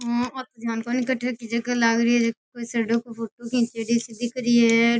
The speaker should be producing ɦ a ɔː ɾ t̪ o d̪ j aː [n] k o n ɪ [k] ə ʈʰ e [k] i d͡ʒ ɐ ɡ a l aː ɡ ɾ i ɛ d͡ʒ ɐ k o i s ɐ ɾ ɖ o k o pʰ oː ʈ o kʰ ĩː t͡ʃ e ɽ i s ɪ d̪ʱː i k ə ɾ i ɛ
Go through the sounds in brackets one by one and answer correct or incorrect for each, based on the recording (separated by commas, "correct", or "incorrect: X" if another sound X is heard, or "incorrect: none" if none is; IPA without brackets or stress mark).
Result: correct, correct, correct